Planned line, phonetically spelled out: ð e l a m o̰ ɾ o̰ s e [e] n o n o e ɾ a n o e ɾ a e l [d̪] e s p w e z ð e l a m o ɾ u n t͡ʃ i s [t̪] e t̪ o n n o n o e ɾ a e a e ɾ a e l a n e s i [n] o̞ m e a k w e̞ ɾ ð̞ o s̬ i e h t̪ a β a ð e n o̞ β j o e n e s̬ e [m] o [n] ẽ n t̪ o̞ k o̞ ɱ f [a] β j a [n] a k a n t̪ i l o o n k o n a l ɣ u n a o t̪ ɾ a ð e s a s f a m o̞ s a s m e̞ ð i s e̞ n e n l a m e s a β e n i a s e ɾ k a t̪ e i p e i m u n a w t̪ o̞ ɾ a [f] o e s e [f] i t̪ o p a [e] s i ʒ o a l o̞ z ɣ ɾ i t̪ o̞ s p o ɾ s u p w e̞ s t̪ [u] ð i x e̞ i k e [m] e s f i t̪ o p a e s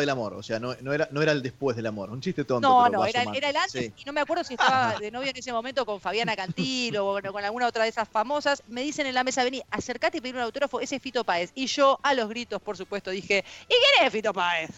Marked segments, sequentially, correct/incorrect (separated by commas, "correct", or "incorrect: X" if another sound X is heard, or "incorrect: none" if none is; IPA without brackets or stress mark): incorrect: a, correct, correct, correct, correct, incorrect: m, correct, correct, correct, correct, correct, incorrect: o, incorrect: n